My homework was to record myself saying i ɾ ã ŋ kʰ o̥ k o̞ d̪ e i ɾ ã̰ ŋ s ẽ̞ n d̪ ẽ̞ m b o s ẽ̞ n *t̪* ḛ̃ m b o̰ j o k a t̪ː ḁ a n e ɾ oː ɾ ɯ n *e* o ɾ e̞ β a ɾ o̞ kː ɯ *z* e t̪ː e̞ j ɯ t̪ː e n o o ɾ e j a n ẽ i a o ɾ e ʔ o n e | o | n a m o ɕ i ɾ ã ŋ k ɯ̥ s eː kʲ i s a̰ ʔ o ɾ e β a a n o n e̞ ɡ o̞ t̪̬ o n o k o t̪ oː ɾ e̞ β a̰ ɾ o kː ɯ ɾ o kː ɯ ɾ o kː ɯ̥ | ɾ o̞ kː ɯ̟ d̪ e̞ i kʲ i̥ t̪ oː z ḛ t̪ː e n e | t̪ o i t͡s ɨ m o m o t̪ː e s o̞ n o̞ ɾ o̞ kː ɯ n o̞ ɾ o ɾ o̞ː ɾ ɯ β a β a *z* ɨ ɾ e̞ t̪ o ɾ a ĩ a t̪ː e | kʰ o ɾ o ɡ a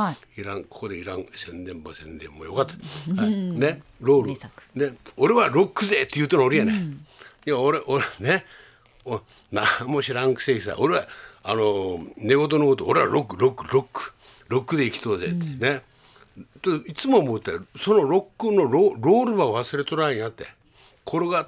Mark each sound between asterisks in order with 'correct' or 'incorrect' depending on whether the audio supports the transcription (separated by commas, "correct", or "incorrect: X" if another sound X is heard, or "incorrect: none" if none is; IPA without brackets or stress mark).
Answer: incorrect: d̪, correct, correct, incorrect: s